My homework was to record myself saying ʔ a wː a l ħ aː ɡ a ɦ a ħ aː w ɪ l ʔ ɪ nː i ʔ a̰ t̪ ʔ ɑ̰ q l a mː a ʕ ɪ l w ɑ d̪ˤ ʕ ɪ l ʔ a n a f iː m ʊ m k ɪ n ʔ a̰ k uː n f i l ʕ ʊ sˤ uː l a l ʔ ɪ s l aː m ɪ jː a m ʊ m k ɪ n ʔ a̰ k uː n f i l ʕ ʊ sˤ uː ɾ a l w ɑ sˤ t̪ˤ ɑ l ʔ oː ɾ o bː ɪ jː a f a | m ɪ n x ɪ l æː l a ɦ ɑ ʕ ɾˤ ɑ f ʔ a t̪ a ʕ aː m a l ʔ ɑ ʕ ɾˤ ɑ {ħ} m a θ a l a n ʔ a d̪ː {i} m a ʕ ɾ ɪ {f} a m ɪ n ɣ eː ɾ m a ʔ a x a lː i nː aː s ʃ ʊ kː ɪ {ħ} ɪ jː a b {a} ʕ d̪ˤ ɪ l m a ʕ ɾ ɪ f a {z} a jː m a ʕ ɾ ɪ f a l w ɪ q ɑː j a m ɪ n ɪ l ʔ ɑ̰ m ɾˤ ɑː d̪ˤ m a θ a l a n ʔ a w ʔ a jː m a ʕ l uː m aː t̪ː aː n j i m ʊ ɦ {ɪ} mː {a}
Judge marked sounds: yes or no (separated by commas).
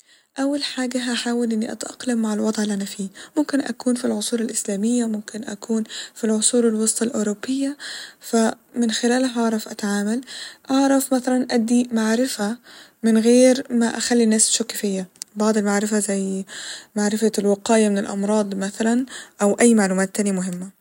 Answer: no, yes, yes, no, no, yes, yes, yes